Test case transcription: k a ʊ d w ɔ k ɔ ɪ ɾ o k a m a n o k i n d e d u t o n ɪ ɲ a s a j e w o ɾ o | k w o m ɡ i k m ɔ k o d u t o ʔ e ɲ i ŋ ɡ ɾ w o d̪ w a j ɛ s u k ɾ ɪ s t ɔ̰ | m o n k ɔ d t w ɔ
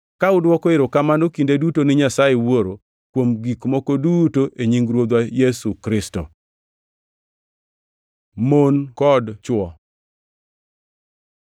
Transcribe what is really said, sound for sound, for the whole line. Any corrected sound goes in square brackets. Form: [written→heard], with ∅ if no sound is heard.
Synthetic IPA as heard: k a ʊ d w ɔ k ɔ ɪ ɾ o k a m a n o k i n d e d u t o n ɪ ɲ a s a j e w o ɾ o | k w o m ɡ i k m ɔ k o d u t o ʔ e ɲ i ŋ ɡ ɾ w o d̪ w a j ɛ s u k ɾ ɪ s t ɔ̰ | m o n k ɔ d [t→t͡ʃ] w ɔ